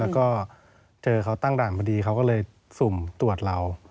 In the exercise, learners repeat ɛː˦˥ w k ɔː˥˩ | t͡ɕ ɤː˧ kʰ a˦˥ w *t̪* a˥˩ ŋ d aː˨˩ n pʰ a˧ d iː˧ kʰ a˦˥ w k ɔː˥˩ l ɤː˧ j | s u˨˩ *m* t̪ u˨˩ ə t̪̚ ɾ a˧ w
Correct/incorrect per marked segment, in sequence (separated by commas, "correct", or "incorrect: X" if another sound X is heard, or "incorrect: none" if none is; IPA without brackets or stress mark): correct, correct